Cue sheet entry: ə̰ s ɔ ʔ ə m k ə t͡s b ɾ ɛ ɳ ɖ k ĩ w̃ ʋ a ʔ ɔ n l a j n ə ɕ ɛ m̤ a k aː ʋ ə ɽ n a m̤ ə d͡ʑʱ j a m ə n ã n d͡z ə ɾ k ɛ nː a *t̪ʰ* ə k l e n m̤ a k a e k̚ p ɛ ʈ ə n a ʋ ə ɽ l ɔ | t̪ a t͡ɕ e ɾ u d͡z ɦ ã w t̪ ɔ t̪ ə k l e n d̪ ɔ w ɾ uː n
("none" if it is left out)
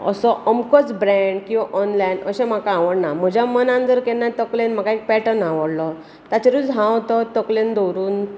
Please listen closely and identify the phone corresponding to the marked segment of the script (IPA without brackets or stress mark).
t̪